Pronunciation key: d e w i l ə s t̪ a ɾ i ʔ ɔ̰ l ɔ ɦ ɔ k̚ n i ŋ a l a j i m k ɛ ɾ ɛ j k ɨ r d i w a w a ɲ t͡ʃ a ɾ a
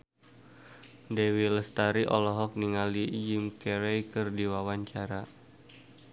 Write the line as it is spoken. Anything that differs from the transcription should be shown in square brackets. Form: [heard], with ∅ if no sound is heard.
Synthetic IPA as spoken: d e w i l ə s t̪ a ɾ i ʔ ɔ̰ l ɔ ɦ ɔ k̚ n i ŋ a l [i] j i m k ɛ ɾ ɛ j k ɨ r d i w a w a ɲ t͡ʃ a ɾ a